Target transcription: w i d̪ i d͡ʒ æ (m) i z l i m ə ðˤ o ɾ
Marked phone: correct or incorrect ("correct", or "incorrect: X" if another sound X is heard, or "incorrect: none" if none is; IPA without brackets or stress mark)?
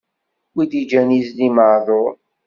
incorrect: n